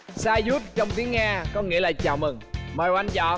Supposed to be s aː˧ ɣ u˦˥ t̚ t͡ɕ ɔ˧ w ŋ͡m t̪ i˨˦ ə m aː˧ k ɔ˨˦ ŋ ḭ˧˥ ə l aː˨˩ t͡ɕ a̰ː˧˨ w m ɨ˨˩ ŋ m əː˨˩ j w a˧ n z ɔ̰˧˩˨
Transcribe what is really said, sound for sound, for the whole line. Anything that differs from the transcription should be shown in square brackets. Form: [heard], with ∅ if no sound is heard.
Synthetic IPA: s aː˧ [z] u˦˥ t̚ t͡ɕ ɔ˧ w ŋ͡m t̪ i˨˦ ə [ŋ] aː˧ k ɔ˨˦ ŋ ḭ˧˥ ə l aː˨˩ t͡ɕ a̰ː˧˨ w m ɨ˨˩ ŋ m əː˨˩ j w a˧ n z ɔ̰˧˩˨